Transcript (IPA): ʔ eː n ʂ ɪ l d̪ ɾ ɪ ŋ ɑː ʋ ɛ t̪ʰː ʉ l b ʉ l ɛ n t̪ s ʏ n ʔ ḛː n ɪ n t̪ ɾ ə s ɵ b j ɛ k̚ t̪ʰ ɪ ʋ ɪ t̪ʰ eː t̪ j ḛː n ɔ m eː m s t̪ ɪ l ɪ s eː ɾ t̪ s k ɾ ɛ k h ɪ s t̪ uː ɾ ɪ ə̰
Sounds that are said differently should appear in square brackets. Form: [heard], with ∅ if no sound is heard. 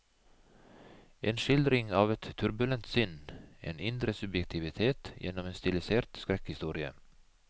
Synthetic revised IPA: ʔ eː n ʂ ɪ l d̪ ɾ ɪ ŋ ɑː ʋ ɛ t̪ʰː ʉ [ɾ] b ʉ l ɛ n t̪ s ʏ n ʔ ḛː n ɪ n [d̪] ɾ ə s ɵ b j ɛ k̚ t̪ʰ ɪ ʋ ɪ t̪ʰ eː t̪ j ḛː n ɔ m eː [n] s t̪ ɪ l ɪ s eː ɾ t̪ s k ɾ ɛ k h ɪ s t̪ uː ɾ ɪ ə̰